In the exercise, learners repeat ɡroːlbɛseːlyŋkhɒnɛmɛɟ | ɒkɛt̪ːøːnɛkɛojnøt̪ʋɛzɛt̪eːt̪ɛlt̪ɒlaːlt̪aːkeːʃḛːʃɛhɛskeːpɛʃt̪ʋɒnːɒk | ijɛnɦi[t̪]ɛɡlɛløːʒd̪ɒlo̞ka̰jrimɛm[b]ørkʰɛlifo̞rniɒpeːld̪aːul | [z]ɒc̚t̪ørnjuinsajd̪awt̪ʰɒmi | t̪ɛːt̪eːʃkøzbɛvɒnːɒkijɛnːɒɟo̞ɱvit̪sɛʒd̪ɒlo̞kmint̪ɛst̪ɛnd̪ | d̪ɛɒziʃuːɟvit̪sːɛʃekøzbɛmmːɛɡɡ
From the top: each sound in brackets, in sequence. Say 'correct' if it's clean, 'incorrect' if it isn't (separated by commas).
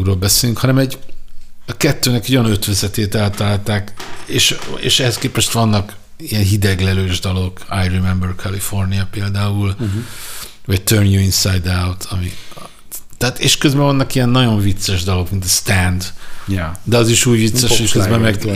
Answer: incorrect, correct, incorrect